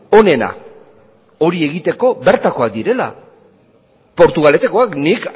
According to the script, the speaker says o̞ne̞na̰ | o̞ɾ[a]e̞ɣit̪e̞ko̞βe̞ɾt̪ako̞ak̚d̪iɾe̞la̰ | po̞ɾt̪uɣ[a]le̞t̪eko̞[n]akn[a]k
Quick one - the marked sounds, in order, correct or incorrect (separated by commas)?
incorrect, correct, incorrect, incorrect